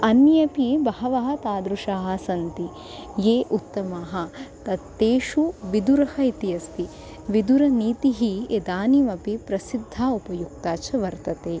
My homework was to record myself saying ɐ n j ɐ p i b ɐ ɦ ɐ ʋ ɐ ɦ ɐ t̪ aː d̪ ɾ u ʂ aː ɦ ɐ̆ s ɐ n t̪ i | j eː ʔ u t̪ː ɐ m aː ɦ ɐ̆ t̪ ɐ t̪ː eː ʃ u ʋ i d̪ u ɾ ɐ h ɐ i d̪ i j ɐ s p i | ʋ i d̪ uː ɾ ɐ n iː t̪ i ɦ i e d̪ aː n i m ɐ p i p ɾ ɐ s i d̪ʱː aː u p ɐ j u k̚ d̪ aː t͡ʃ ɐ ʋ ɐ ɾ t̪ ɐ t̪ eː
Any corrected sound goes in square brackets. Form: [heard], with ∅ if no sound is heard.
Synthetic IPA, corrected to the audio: ɐ n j ɐ p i b ɐ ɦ ɐ ʋ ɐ ɦ ɐ t̪ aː d̪ ɾ u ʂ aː ɦ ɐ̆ s ɐ n t̪ i | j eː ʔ u t̪ː ɐ m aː ɦ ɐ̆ t̪ ɐ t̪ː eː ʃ u ʋ i d̪ u ɾ ɐ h ɐ i [t̪] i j ɐ s p i | ʋ i d̪ [u] ɾ ɐ n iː t̪ i ɦ i e d̪ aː n i m ɐ p i p ɾ ɐ s i d̪ʱː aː u p ɐ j u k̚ [t̪] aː t͡ʃ ɐ ʋ ɐ ɾ t̪ ɐ t̪ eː